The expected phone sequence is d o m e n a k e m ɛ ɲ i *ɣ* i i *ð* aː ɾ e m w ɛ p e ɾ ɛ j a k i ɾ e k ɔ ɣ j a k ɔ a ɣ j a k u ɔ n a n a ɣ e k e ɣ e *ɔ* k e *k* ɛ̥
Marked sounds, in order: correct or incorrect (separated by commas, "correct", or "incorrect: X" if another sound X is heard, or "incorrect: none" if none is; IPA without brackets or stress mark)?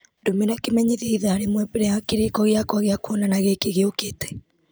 incorrect: ð, correct, incorrect: o, incorrect: t